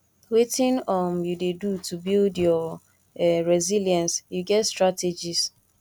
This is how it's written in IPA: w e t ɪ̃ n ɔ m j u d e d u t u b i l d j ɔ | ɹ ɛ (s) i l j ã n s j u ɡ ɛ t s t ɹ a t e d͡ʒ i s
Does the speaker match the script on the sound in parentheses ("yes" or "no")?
no